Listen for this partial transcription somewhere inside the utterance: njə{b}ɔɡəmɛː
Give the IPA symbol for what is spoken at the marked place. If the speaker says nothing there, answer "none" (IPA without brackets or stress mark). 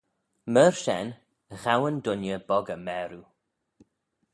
b